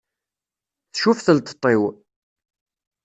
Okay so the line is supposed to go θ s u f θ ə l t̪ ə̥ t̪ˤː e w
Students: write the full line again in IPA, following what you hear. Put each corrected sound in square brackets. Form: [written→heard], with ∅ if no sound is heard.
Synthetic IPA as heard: θ [s→ʃ] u f θ ə l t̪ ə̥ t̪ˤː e w